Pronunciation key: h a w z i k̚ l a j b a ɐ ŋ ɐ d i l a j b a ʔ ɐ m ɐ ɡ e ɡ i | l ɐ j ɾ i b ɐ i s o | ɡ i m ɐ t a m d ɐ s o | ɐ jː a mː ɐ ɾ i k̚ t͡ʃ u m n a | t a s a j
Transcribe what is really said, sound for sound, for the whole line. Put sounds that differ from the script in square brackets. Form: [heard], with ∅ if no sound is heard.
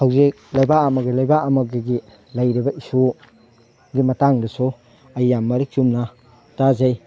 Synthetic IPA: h a w z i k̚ l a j b a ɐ [m] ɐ [ɡ] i l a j b a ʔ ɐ m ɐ ɡ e ɡ i | l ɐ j ɾ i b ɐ i s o | ɡ i m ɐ t a [ŋ] d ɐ s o | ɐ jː a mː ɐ ɾ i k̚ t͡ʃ u m n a | t a [z] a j